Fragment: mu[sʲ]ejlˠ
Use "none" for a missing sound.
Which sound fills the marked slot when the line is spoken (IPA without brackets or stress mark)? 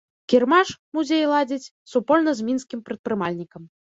zʲ